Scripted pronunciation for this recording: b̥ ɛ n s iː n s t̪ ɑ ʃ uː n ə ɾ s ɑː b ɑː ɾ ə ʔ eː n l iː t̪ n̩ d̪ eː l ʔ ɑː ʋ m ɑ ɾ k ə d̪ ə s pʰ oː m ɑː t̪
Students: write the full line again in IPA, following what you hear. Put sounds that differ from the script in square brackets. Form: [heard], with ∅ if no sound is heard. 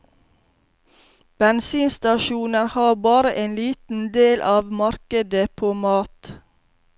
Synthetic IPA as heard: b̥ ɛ n s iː n s t̪ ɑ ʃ uː n ə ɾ [h] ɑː b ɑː ɾ ə ʔ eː n l iː t̪ n̩ d̪ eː l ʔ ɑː ʋ m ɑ ɾ k ə d̪ ə [∅] pʰ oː m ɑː t̪